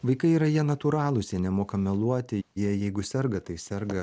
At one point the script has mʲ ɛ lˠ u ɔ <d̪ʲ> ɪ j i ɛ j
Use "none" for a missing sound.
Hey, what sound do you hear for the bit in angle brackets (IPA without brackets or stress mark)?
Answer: t̪ʲ